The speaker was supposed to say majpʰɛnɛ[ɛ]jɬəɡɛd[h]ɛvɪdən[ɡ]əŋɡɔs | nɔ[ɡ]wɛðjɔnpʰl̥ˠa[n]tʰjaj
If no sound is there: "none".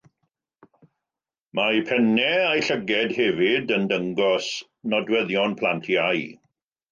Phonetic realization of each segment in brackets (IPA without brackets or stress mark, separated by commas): a, h, d, d, n